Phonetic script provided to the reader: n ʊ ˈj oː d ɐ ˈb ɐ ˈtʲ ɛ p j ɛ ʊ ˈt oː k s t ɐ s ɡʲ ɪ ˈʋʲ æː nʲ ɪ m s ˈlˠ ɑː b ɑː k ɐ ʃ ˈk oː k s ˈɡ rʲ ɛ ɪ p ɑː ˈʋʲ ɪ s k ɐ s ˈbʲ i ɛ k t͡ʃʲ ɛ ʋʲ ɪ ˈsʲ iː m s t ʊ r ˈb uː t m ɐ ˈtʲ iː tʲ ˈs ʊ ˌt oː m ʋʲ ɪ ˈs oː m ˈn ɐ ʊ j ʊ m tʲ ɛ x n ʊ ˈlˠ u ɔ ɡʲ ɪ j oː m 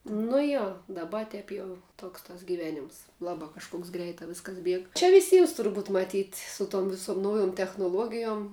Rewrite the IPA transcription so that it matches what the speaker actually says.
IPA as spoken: n ʊ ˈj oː d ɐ ˈb ɐ ˈtʲ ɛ p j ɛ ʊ ˈt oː k s t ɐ s ɡʲ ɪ ˈʋʲ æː nʲ ɪ m s ˈlˠ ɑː b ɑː k ɐ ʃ ˈk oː k s ˈɡ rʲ ɛ ɪ t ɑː ˈʋʲ ɪ s k ɐ s ˈbʲ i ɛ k t͡ʃʲ ɛ ʋʲ ɪ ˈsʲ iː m s t ʊ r ˈb uː t m ɐ ˈtʲ iː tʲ ˈs ʊ ˌt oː m ʋʲ ɪ ˈs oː m ˈn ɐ ʊ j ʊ m tʲ ɛ x n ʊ ˈlˠ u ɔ ɡʲ ɪ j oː m